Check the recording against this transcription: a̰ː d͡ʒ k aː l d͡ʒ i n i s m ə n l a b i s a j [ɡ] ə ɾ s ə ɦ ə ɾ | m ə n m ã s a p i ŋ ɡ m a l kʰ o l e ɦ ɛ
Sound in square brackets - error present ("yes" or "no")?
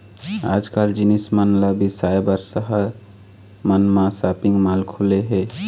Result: yes